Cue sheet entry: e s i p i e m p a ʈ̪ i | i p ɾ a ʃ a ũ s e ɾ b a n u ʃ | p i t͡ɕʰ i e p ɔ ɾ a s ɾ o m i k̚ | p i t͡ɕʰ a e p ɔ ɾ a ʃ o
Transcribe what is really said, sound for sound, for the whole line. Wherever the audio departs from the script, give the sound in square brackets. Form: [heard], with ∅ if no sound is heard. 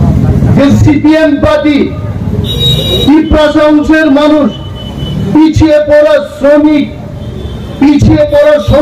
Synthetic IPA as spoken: e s i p i e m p a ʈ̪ i | i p ɾ a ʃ a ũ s e ɾ [m] a n u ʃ | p i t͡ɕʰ i e p ɔ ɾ a s ɾ o m i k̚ | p i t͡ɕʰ [i] e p ɔ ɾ a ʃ o